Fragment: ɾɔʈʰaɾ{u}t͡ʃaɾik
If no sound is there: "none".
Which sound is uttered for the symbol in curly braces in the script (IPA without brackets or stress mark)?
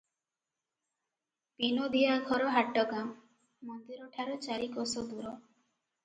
ɔ